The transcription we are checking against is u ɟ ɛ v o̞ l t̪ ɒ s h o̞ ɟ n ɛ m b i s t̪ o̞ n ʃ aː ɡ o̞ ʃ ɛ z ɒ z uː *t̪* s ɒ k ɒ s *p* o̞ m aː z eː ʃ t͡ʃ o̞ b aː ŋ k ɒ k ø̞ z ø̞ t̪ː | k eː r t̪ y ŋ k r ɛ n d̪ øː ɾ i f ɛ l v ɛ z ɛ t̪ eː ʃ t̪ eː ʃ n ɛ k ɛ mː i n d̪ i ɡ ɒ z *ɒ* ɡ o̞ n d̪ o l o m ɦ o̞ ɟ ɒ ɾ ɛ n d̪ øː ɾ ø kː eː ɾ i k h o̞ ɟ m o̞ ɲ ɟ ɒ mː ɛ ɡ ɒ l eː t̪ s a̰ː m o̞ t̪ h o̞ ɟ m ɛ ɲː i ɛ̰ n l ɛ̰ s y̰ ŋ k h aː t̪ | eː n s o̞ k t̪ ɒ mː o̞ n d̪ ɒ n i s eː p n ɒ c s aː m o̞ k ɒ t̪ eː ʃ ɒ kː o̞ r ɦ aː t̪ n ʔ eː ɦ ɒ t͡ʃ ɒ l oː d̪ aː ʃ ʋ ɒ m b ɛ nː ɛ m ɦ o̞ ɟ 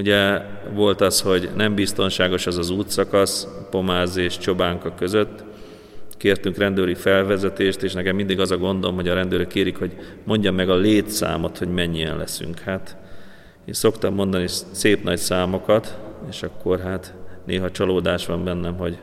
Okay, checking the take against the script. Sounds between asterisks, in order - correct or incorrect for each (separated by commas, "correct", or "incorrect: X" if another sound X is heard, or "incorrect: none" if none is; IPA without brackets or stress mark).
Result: correct, correct, correct